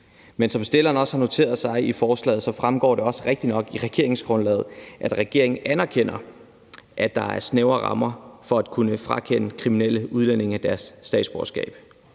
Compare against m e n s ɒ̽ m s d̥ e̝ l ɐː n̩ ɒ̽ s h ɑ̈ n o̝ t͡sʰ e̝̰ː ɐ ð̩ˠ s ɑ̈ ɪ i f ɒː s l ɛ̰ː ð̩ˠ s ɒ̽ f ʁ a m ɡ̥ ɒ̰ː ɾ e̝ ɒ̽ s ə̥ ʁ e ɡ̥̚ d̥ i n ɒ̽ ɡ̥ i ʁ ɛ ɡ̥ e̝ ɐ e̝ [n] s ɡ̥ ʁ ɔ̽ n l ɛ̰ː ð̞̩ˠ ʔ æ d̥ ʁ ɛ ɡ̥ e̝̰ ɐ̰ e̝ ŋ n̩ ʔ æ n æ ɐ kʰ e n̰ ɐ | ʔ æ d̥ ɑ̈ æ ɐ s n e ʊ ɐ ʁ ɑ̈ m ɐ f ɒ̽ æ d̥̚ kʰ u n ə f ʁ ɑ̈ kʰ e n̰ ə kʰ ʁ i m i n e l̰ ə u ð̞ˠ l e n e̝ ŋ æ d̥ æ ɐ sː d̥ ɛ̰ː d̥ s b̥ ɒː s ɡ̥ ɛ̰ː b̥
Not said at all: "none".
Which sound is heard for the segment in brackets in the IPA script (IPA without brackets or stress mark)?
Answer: ŋ